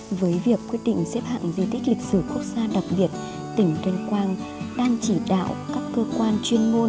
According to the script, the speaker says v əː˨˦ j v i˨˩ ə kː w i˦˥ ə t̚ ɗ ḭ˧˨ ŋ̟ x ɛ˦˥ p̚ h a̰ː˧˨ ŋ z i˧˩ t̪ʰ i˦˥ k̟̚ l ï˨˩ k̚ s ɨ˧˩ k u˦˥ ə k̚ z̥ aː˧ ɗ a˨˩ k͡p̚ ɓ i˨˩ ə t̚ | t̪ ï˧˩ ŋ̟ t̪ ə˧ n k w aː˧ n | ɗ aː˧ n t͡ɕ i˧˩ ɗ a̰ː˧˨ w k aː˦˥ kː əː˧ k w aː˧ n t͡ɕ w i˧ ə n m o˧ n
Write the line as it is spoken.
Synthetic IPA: v əː˨˦ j v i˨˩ ə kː w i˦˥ ə t̚ ɗ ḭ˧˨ ŋ̟ s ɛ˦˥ p̚ h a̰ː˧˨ ŋ z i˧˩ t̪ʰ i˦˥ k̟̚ l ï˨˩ k̚ s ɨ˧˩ k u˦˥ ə k̚ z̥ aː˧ ɗ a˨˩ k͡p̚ ɓ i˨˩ ə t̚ | t̪ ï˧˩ ŋ̟ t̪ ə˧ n k w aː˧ n | ɗ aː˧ ŋ t͡ɕ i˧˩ ɗ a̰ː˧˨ w k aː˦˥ kː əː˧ k w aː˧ n t͡ɕ w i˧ ə n m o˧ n